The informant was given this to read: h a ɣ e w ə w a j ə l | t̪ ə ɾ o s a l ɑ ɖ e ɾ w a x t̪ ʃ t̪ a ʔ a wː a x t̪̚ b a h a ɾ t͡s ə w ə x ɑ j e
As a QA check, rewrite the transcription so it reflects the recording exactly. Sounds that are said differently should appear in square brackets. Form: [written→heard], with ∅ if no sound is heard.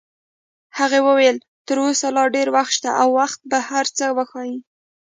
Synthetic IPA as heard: h a ɣ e w ə w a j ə l | t̪ ə ɾ o s a l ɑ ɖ e ɾ w a x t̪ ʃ t̪ a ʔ a wː a x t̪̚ b a h a ɾ t͡s ə w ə x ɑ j [e→i]